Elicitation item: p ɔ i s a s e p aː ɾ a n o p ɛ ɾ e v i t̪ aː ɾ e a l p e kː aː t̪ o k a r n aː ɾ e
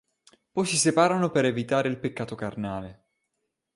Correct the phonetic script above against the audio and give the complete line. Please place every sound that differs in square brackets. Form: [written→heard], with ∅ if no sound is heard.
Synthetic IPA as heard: p ɔ [i→j] s [a→i] s e p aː ɾ a n o p [ɛ→e] ɾ e v i t̪ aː ɾ e [a→i] l p e kː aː t̪ o k a r n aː [ɾ→l] e